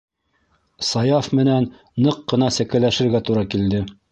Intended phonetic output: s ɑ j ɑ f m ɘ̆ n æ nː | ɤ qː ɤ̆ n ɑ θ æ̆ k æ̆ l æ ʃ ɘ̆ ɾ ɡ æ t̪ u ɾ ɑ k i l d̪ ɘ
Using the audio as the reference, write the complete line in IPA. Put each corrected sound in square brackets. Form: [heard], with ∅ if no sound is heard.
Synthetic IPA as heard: s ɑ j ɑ f m ɘ̆ n æ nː | ɤ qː ɤ̆ n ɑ [s] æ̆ k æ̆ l æ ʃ ɘ̆ ɾ ɡ æ t̪ u ɾ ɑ k i l d̪ ɘ